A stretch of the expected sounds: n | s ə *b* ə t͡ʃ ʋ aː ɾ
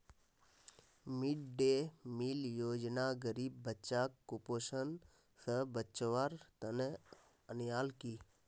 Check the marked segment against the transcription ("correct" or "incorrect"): correct